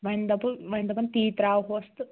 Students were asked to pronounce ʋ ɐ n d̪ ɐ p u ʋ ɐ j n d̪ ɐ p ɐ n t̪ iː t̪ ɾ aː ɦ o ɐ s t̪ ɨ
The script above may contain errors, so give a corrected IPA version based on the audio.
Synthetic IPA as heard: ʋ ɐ n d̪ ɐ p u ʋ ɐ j n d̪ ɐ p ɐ n t̪ iː t̪ ɾ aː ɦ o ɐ s t̪ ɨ